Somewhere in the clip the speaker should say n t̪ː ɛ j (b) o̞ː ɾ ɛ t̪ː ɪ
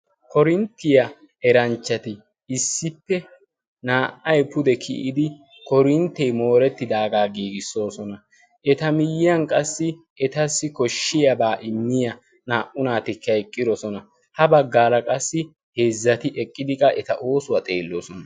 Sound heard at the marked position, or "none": m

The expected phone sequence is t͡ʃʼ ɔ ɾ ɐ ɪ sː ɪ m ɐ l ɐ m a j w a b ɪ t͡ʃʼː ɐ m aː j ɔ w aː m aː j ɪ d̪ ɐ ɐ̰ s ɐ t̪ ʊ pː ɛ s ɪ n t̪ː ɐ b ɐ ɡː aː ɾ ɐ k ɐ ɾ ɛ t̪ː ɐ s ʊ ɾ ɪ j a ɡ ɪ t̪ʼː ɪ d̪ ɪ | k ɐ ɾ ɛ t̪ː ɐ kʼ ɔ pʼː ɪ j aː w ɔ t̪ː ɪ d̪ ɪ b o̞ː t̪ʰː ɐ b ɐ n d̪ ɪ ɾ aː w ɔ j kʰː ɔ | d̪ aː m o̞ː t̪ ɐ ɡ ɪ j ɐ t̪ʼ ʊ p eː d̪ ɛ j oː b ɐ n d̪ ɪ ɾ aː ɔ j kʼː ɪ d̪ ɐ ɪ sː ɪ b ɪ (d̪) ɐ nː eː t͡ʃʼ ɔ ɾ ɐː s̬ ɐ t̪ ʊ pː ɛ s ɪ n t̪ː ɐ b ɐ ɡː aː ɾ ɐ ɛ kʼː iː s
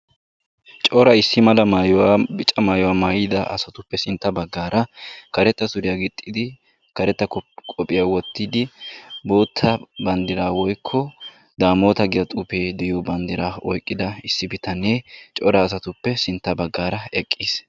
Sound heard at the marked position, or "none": t̪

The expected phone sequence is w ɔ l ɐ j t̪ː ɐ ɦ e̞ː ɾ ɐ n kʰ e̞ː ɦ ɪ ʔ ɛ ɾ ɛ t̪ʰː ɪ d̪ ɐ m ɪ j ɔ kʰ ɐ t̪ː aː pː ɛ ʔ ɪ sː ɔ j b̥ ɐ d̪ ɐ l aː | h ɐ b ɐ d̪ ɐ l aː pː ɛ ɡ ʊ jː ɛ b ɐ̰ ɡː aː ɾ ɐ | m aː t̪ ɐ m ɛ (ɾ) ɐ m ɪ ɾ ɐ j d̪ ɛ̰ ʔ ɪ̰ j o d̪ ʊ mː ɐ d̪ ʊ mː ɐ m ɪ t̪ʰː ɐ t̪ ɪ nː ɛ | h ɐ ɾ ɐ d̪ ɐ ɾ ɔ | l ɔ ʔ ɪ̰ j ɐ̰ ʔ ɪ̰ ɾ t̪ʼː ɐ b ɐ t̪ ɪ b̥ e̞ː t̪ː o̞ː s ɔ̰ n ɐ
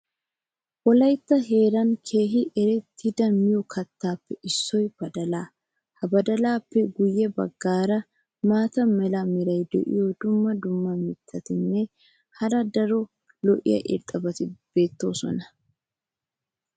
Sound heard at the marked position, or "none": l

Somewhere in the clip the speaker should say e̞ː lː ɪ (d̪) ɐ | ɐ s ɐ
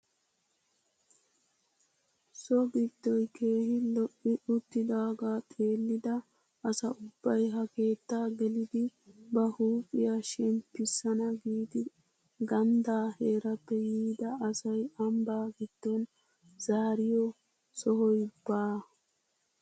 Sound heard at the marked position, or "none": d̪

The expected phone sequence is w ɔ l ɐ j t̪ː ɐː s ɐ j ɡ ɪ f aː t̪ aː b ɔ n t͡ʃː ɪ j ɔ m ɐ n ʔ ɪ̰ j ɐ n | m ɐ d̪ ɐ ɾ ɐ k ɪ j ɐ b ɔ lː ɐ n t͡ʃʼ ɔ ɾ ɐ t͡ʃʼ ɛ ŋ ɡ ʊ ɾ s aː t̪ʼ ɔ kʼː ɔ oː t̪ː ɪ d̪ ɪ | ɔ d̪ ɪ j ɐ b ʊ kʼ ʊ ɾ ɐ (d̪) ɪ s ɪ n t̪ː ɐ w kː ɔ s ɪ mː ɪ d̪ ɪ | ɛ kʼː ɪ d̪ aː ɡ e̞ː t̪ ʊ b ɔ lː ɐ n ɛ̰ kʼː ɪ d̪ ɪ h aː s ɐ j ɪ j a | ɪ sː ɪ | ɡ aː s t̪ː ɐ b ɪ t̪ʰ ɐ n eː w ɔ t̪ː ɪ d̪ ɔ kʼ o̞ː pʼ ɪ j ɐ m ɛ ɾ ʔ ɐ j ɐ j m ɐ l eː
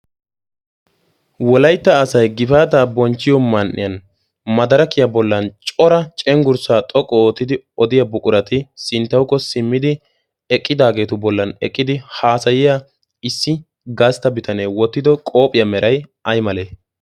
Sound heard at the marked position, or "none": t̪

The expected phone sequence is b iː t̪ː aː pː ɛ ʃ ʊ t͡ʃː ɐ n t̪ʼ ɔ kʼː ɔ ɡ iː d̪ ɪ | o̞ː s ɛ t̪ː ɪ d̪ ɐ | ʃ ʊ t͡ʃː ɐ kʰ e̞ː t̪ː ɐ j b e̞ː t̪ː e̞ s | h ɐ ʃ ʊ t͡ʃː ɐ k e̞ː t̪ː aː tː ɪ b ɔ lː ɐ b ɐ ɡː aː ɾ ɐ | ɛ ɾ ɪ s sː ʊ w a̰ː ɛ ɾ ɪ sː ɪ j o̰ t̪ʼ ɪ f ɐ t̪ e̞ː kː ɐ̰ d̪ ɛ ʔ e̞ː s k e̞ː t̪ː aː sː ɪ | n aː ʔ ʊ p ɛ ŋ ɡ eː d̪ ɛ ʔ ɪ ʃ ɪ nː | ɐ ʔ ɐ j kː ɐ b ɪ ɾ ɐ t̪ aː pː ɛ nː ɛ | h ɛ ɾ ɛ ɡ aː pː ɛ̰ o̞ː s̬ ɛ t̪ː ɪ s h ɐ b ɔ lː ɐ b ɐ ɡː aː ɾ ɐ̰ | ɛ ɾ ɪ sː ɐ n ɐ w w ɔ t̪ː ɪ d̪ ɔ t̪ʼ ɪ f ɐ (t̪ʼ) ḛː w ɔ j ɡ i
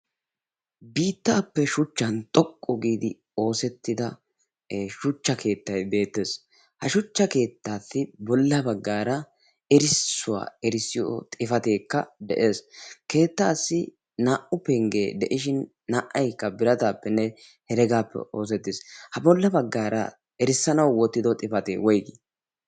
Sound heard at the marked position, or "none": t̪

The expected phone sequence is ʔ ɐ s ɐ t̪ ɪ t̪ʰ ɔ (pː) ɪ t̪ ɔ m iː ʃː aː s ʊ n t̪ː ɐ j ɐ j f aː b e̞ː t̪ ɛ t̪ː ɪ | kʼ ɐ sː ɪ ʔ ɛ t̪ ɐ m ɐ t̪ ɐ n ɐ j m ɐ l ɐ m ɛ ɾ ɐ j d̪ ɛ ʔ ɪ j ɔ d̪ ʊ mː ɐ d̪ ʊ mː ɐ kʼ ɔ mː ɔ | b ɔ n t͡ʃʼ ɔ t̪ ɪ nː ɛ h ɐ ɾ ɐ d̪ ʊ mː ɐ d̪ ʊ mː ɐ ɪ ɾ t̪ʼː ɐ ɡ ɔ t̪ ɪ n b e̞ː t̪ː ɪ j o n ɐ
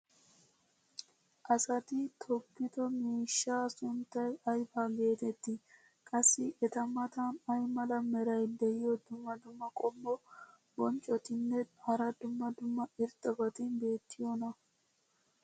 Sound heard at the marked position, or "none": pː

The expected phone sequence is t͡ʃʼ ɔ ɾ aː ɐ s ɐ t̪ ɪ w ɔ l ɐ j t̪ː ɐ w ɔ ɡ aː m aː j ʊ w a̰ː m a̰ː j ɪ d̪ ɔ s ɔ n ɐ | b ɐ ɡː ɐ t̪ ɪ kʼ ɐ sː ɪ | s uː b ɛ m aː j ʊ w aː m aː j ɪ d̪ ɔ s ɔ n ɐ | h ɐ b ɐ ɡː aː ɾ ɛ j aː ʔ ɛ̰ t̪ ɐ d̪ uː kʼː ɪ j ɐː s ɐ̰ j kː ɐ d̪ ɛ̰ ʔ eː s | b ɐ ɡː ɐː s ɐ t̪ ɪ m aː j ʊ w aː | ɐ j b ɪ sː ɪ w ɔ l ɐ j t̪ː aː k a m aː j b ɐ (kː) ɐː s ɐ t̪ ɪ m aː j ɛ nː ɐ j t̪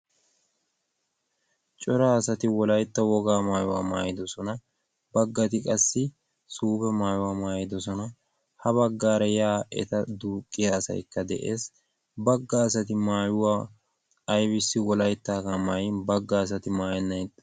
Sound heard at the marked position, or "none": ɡː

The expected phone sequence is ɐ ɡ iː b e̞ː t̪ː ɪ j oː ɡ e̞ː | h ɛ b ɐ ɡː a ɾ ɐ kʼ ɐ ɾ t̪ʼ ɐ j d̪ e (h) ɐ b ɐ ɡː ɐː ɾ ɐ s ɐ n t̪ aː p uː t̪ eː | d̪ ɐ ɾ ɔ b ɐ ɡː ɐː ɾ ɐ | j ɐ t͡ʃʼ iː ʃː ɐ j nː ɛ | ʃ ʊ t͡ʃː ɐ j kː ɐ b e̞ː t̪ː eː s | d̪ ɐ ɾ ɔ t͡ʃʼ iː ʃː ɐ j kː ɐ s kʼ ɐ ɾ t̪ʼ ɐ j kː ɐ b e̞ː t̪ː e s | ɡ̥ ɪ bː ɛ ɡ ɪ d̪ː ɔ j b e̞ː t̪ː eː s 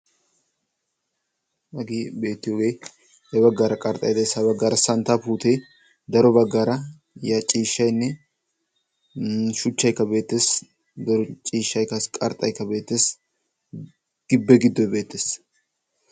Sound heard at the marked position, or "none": s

